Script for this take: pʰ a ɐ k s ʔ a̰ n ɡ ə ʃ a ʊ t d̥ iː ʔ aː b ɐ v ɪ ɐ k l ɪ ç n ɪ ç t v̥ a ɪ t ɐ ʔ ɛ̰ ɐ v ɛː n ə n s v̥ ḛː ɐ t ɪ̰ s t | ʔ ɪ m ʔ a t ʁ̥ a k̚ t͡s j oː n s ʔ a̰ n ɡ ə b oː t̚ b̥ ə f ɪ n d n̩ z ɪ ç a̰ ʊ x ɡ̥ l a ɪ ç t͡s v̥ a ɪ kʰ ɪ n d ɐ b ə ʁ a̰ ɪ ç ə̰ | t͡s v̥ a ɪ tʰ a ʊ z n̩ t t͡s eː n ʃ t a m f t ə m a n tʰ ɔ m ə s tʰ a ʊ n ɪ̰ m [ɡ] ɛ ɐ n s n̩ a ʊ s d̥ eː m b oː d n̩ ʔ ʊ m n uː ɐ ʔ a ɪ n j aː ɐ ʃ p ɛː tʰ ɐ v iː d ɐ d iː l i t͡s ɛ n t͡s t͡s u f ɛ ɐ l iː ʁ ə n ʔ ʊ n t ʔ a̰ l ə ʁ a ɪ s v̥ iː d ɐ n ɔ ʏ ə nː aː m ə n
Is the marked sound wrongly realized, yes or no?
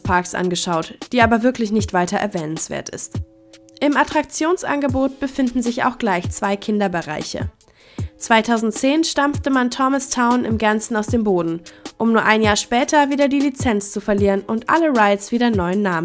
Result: no